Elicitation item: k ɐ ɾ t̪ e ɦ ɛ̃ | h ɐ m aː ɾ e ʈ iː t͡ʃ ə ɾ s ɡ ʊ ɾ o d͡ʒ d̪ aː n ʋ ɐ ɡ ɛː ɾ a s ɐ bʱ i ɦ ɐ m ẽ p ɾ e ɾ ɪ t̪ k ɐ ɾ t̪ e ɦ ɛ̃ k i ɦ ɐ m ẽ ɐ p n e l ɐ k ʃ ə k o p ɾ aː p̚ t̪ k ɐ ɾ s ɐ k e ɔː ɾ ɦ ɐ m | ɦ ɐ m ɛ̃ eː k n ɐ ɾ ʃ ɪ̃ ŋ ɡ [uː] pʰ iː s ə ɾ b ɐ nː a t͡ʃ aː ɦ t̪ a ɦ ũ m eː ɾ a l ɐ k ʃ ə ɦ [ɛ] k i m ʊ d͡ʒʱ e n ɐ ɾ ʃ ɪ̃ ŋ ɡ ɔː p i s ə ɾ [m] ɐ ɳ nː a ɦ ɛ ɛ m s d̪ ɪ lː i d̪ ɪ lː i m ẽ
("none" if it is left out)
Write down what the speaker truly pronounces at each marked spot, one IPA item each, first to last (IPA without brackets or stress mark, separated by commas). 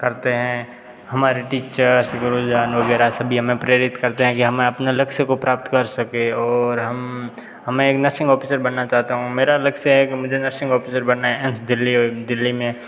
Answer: ɔː, ɛ, b